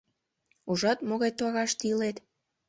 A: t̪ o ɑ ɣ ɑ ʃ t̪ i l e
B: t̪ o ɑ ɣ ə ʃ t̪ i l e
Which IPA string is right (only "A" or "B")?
A